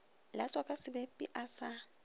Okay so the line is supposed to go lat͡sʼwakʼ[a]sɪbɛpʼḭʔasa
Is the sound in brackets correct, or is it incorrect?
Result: correct